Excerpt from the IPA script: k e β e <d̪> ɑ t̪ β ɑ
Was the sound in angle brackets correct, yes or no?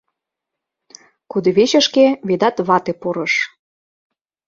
yes